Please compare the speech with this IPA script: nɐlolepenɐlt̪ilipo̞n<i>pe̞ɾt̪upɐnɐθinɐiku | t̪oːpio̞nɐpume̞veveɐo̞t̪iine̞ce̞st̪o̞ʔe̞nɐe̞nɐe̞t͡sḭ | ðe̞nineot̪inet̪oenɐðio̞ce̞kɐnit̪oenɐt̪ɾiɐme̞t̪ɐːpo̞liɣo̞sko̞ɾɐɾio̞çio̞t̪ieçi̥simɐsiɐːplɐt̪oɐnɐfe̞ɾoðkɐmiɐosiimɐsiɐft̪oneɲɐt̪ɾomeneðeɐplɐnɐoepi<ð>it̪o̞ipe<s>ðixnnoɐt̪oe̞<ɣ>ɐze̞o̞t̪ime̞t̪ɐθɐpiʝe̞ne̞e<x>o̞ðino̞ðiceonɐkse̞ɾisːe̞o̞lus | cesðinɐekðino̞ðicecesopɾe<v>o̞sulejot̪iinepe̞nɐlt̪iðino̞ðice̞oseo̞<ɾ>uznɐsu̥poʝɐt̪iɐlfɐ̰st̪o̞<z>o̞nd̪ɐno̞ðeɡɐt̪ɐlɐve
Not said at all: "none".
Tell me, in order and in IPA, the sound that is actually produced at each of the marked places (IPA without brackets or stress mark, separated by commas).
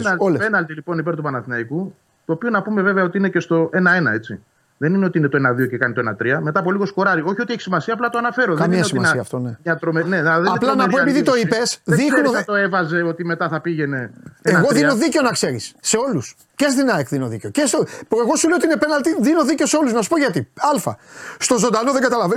i, ð, s, v, ɣ, ɣ, l, z